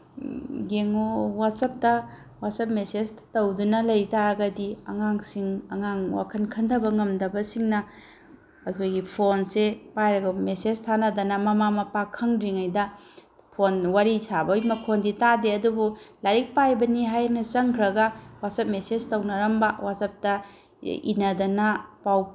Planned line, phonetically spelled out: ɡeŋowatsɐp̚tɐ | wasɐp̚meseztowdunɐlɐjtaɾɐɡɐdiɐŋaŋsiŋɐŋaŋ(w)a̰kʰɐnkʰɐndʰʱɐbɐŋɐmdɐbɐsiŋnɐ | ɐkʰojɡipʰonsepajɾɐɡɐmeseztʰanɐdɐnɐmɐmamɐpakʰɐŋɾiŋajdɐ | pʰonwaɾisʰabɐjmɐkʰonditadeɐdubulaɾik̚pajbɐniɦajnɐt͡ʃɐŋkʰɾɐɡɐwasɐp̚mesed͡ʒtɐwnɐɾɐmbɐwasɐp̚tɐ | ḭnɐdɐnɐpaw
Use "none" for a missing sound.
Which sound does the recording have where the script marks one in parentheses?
w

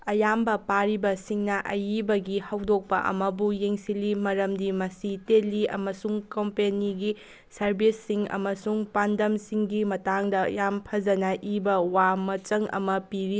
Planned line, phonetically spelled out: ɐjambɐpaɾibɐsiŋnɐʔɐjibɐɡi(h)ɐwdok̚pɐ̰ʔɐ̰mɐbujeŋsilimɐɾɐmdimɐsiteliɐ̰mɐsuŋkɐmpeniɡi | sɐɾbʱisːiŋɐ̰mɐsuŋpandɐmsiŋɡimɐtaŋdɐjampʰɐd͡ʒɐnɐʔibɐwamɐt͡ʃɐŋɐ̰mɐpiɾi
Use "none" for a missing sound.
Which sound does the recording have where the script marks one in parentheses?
h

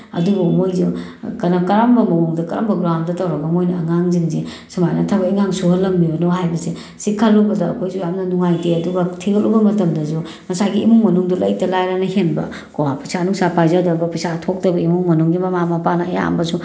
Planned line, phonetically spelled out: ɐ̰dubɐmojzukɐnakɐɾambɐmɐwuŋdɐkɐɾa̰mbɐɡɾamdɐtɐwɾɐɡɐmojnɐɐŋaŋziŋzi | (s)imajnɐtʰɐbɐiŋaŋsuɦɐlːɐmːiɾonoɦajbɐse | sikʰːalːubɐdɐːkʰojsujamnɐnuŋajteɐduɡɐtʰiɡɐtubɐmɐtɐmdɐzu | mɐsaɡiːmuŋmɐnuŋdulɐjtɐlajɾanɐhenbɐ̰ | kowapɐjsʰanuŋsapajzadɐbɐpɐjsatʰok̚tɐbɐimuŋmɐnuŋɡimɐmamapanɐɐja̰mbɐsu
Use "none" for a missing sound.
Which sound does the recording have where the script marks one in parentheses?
s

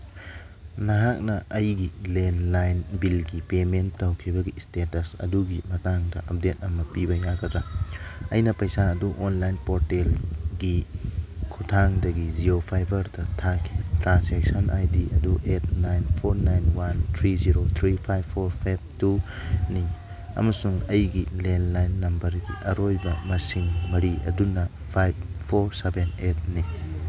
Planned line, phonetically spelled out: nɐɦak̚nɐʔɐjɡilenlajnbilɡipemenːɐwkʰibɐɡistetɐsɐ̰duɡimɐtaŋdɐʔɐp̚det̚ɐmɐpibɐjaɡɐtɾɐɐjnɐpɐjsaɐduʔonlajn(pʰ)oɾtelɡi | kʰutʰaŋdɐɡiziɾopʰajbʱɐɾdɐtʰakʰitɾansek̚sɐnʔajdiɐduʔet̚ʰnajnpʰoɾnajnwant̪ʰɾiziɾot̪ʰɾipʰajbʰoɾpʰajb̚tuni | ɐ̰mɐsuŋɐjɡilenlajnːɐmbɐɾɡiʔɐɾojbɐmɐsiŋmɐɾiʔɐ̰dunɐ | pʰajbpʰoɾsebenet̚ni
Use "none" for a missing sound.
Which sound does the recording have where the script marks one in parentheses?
p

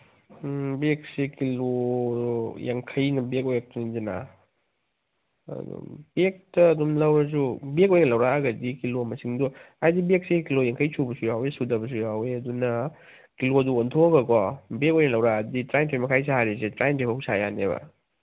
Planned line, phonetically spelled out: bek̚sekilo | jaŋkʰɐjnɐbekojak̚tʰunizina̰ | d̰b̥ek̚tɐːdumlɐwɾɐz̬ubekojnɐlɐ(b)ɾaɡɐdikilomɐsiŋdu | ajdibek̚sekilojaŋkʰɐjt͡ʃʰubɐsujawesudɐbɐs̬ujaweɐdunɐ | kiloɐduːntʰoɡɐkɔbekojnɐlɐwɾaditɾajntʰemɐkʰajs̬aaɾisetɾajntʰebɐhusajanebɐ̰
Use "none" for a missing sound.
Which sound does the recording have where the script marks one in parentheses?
w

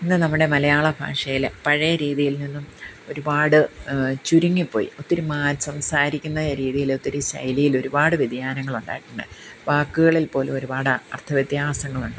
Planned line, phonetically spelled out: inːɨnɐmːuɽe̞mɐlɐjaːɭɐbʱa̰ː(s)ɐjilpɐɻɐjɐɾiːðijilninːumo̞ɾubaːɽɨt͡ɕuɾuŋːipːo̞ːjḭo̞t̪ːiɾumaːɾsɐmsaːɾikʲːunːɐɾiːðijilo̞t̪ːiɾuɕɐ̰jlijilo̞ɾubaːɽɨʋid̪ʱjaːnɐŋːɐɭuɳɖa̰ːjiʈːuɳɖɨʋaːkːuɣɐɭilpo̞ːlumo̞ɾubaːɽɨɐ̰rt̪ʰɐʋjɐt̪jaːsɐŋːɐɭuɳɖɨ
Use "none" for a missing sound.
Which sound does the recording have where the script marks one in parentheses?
ʂ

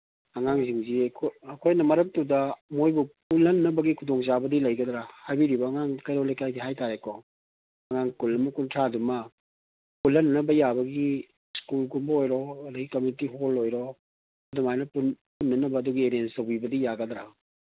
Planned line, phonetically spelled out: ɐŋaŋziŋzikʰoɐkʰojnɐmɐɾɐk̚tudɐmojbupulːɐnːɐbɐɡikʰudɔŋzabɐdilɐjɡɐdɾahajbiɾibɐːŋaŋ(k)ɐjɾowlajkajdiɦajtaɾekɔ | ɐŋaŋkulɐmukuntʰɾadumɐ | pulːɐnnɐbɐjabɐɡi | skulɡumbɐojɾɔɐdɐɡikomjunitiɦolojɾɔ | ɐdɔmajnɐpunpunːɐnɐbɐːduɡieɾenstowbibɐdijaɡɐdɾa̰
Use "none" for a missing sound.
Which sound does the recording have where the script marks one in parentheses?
k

